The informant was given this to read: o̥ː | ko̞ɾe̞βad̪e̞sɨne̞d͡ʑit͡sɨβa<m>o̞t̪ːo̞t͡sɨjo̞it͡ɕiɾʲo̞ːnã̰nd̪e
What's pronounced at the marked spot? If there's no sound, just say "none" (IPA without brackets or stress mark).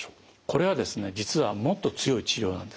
m